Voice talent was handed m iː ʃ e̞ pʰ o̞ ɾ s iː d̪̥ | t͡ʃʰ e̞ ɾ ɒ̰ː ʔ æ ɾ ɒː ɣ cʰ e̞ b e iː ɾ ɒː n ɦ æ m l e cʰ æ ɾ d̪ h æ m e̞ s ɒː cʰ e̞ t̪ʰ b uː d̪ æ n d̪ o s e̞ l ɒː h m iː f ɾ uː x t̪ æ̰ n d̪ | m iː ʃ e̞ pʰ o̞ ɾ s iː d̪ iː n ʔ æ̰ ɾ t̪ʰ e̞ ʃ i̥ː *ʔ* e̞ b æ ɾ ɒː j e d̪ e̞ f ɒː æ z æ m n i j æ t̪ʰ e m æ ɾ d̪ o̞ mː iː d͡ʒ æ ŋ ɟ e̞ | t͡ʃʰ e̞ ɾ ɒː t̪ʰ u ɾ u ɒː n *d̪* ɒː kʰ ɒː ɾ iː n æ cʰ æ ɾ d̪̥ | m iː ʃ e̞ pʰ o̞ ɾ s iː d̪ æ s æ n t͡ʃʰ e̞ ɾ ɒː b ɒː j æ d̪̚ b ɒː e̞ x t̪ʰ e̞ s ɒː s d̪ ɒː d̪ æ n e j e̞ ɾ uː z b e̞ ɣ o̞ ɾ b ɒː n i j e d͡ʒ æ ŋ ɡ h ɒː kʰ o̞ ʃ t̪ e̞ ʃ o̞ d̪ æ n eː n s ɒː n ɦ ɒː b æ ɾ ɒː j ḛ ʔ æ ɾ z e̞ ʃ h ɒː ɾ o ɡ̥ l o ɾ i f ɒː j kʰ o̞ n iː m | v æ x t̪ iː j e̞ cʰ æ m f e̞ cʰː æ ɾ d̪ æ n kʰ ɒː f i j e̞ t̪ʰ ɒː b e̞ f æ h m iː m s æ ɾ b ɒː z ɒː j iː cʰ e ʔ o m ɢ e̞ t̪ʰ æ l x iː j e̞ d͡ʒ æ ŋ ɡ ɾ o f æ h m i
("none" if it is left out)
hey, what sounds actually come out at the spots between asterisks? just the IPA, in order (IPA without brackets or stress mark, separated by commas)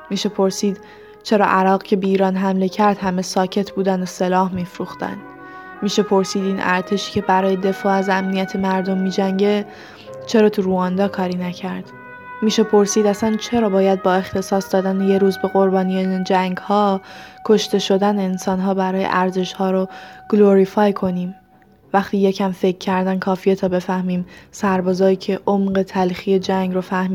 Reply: c, d̪